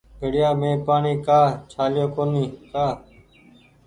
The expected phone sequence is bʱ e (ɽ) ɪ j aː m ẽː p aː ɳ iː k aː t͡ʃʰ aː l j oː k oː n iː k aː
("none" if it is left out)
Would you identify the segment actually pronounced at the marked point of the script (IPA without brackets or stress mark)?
ɽ